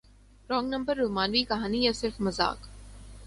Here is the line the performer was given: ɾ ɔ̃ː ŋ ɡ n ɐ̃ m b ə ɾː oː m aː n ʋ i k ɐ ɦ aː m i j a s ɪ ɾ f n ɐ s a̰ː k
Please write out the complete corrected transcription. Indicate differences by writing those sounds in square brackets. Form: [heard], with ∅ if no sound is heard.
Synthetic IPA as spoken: ɾ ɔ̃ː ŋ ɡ n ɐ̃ m b ə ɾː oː m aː n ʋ i k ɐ ɦ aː [n] i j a s ɪ ɾ f [m] ɐ [z] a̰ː k

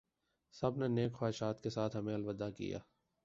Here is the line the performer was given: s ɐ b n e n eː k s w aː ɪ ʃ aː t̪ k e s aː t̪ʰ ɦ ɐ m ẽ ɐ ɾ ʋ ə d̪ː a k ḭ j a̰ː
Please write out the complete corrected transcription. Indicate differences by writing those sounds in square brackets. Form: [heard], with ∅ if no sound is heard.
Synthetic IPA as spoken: s ɐ b n e n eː k [x] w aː ɪ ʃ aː t̪ k e s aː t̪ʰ ɦ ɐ m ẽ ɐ [l] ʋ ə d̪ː a k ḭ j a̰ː

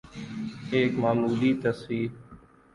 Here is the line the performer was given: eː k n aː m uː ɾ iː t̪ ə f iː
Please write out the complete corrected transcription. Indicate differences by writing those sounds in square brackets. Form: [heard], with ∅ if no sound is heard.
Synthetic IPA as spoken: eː k [m] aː m uː [l] iː t̪ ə [s] iː

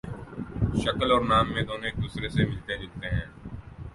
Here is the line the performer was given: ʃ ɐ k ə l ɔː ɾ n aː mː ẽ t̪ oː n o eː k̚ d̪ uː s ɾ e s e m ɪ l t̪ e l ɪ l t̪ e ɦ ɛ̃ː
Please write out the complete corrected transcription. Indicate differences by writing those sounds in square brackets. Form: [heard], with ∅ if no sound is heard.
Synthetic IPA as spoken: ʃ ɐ k ə l ɔː ɾ n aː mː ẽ [d̪] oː n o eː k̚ d̪ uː s ɾ e s e m ɪ l t̪ e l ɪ l t̪ e ɦ ɛ̃ː

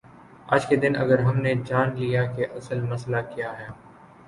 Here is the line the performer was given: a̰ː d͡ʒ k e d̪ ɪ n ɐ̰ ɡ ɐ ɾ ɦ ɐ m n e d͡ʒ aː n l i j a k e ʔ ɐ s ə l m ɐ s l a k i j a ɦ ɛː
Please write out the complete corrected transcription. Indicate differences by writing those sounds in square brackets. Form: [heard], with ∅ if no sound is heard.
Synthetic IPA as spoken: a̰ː d͡ʒ k e d̪ ɪ n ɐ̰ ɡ [ə] ɾ ɦ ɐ m n e d͡ʒ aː n l i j a k e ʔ ɐ s ə l m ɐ s l a k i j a ɦ ɛː

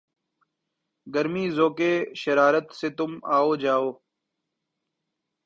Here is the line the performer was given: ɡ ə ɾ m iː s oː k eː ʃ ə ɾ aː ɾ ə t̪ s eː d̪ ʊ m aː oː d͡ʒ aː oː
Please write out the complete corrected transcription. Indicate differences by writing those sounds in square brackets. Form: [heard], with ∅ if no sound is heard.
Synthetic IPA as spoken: ɡ ə ɾ m iː [z] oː k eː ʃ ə ɾ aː ɾ ə t̪ s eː [t̪] ʊ m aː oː d͡ʒ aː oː

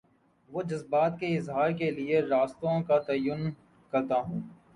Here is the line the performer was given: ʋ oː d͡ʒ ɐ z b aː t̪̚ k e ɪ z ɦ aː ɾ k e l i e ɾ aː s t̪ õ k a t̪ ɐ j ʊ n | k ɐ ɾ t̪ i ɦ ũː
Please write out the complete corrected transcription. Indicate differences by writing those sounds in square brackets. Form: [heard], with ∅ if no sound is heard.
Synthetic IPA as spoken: ʋ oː d͡ʒ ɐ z b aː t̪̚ k e ɪ z ɦ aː ɾ k e l i e ɾ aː s t̪ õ k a t̪ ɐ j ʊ n | k ɐ ɾ t̪ [a] ɦ ũː

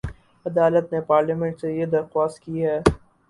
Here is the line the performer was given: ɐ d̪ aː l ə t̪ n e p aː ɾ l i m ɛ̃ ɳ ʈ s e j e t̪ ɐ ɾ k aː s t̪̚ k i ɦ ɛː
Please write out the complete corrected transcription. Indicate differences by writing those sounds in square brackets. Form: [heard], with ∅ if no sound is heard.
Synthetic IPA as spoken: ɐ d̪ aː l ə t̪ n e p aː ɾ l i m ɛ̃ ɳ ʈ s e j e [d̪] ɐ ɾ [x] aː s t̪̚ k i ɦ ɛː

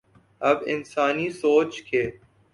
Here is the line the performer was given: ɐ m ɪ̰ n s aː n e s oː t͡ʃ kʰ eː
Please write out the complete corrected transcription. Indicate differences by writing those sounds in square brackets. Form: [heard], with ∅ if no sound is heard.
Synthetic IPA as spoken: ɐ [b] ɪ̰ n s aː n [i] s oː t͡ʃ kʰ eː

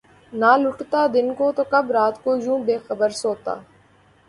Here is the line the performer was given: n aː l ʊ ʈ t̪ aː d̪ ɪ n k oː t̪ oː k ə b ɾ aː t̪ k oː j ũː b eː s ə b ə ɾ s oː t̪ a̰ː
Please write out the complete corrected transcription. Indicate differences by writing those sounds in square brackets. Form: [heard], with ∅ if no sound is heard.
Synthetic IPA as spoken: n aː l ʊ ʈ t̪ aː d̪ ɪ n k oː t̪ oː k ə b ɾ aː t̪ k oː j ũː b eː [x] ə b ə ɾ s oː t̪ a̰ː

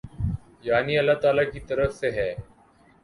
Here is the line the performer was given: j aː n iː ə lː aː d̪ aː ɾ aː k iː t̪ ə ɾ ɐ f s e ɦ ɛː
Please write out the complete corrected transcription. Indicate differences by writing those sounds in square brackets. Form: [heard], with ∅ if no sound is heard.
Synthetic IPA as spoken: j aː n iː ə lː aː [t̪] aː [l] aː k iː t̪ ə ɾ [ə] f s e ɦ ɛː

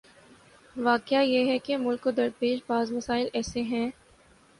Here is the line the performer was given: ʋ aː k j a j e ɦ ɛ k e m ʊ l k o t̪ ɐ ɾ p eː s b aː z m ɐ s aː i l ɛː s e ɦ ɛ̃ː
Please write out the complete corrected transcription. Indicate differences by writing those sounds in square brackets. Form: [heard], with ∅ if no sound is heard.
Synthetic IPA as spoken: ʋ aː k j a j e ɦ ɛ k e m ʊ l k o [d̪] ɐ ɾ p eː [ʃ] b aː z m ɐ s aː [ɪ] l ɛː s e ɦ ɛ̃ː

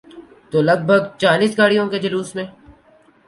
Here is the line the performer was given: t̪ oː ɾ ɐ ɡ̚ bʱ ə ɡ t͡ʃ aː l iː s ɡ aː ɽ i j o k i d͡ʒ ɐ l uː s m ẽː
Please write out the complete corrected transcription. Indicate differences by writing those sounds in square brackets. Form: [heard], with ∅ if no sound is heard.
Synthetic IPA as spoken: t̪ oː [l] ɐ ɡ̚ bʱ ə ɡ t͡ʃ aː l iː s ɡ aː ɽ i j [õ] k [e] d͡ʒ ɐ l uː s m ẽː

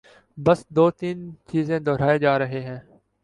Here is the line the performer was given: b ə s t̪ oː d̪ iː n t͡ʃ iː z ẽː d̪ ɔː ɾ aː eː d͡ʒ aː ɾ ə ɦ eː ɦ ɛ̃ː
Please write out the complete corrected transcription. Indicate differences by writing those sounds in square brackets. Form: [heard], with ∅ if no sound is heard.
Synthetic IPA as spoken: b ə s [d̪] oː [t̪] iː n t͡ʃ iː z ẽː d̪ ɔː ɾ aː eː d͡ʒ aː ɾ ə ɦ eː ɦ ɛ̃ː

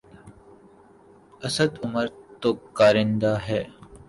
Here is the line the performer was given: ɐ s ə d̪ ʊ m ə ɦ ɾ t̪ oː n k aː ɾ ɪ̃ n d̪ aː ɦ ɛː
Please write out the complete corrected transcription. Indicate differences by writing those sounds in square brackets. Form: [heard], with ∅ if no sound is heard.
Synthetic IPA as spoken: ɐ s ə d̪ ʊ m ə [∅] ɾ t̪ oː [∅] k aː ɾ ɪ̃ n d̪ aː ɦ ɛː

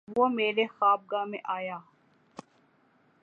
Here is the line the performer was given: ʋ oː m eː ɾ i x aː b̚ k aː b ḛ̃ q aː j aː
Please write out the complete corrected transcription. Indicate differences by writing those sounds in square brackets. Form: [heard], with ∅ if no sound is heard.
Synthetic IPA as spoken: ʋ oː m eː ɾ [e] x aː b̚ [ɡ] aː [m] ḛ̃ [ʔ] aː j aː

